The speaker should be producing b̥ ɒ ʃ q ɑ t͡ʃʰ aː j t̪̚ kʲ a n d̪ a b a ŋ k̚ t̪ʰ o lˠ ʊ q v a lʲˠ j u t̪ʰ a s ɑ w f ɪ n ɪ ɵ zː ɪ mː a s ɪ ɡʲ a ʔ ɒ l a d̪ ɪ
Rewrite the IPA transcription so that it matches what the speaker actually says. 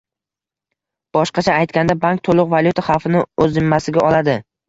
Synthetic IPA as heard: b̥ ɒ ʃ q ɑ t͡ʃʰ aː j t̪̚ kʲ a n d̪ a b a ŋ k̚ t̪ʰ o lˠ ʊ q v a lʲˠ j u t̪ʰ a χ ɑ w f ɪ n ɪ ɵ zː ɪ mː a s ɪ ɡʲ a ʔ ɒ l a d̪ ɪ